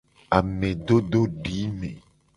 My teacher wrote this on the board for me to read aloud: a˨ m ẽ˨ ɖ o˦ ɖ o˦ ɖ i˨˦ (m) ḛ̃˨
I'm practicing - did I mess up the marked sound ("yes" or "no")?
no